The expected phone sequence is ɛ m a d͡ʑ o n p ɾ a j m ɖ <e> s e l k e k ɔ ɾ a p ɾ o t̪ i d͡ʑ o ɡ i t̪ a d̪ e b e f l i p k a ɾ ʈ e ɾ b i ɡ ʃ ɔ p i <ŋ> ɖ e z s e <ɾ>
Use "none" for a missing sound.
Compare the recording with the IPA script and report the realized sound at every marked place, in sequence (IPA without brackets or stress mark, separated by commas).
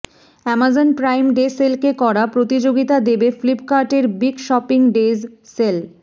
e, ŋ, l